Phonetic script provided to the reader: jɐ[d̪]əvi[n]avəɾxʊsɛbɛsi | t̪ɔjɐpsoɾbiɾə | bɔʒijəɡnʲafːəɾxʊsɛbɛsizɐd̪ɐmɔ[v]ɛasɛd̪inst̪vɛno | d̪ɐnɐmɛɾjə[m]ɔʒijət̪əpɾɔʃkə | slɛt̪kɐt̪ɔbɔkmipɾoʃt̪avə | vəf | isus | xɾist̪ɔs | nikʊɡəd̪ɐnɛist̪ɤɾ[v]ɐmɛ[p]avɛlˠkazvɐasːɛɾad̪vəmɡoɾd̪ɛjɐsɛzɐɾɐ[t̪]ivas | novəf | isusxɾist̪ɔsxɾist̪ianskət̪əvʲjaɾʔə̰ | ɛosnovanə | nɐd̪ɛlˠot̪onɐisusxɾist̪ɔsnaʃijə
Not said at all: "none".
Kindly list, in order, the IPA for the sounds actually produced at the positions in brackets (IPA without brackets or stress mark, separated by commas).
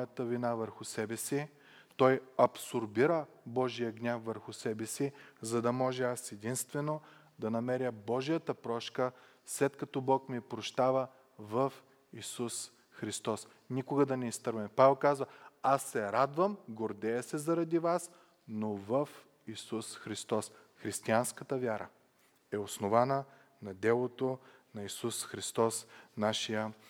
t̪, n, ʒ, b, v, p, d̪